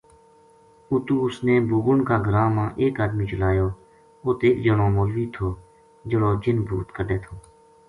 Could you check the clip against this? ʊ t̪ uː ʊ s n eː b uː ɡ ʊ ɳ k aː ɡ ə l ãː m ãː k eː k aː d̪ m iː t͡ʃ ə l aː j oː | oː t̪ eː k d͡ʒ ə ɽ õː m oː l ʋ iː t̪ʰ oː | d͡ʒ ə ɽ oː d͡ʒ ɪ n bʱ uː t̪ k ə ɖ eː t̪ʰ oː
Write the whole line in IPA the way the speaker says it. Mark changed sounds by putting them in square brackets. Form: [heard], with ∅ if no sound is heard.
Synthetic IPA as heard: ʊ t̪ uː ʊ s n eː b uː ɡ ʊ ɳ k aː ɡ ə [ɾ] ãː m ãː [ʔ] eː k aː d̪ m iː t͡ʃ ə l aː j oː | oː t̪ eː k d͡ʒ ə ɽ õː m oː l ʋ iː t̪ʰ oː | d͡ʒ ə ɽ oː d͡ʒ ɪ n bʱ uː t̪ k ə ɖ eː t̪ʰ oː